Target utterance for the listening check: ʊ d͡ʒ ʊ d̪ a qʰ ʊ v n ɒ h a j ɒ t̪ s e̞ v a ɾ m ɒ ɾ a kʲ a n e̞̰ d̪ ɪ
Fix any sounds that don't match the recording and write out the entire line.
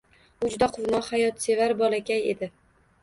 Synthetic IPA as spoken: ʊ d͡ʒ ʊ d̪ a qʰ ʊ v n ɒ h a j ɒ t̪ s e̞ v a ɾ b ɒ l a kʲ a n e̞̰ d̪ ɪ